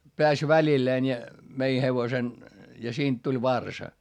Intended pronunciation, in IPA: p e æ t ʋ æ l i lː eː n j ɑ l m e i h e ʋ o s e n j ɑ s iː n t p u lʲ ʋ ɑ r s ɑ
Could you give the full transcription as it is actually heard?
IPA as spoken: p e æ s ʋ æ l i lː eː n j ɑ m e i h e ʋ o s e n j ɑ s iː n t t u lʲ ʋ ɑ r s ɑ